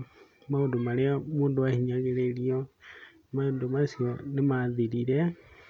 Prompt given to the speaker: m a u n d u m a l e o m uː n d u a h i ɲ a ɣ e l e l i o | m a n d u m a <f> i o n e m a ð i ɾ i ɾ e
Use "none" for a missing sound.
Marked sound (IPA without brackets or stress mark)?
s